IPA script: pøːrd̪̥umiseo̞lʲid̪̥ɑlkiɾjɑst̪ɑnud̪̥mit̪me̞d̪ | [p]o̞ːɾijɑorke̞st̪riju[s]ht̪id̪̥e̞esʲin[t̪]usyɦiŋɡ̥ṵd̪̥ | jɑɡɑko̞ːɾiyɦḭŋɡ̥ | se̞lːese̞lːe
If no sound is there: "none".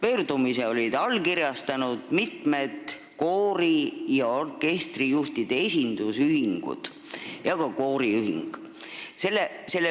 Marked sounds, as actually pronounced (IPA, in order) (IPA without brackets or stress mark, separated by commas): k, none, d̪